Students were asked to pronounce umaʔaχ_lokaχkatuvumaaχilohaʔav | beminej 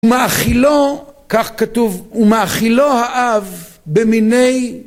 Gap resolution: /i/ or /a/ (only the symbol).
i